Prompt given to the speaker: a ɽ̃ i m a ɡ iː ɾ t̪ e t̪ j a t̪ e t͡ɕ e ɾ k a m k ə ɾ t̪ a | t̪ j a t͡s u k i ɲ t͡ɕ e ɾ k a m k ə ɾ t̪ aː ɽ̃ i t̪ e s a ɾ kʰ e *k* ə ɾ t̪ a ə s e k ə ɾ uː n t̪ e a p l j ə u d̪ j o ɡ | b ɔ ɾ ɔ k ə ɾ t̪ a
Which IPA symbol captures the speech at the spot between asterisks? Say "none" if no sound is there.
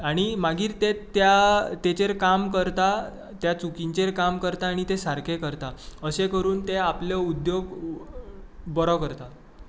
k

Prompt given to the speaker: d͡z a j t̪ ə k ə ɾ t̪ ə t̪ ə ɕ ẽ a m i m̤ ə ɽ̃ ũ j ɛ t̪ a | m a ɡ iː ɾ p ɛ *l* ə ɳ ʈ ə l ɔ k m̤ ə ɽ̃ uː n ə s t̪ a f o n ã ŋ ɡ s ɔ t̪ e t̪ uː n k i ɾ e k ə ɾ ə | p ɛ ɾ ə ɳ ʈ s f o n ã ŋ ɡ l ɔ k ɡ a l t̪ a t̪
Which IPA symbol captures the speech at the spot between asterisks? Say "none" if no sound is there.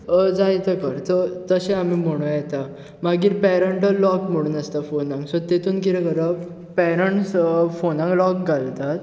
ɾ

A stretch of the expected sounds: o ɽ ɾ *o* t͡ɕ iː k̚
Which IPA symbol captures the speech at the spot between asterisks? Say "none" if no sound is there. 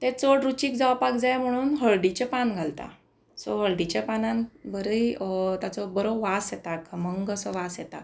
u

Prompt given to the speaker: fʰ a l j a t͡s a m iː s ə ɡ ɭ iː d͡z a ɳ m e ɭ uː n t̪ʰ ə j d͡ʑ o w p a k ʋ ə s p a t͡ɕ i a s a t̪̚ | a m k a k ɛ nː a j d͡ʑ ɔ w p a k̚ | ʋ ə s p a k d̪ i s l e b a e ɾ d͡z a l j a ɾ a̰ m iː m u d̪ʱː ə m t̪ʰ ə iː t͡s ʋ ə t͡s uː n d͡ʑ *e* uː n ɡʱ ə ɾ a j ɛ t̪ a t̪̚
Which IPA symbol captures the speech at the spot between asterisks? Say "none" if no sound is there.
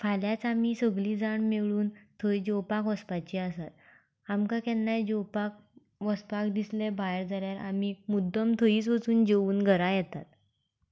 e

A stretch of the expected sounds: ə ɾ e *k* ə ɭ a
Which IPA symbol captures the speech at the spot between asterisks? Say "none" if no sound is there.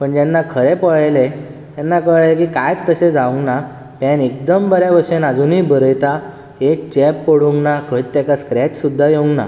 p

